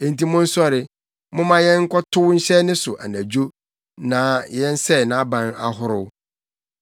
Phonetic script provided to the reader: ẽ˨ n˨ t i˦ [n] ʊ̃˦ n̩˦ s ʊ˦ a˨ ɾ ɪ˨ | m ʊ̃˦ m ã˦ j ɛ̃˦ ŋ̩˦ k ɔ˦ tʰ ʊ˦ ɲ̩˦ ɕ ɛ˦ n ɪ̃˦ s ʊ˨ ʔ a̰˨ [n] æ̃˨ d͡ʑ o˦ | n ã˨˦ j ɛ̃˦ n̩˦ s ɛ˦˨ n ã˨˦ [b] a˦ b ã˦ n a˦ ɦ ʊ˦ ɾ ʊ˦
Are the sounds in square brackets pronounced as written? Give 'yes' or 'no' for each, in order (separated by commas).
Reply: no, yes, no